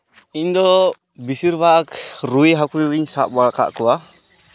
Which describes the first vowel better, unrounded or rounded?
unrounded